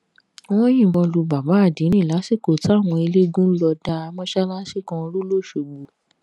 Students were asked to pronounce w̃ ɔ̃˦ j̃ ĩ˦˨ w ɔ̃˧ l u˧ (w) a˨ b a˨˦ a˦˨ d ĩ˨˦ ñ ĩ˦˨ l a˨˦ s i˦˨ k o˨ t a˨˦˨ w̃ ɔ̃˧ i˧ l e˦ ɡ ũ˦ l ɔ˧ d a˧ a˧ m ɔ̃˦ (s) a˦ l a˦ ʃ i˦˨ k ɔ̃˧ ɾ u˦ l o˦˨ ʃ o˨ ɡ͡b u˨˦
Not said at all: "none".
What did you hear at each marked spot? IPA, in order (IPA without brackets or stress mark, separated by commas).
b, ʃ